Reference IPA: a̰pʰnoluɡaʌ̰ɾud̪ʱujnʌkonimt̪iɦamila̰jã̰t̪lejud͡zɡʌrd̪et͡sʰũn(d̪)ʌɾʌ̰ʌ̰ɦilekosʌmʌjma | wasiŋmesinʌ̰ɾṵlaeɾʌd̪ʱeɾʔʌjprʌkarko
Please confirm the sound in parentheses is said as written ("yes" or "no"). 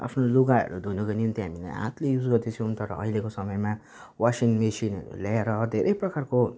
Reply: no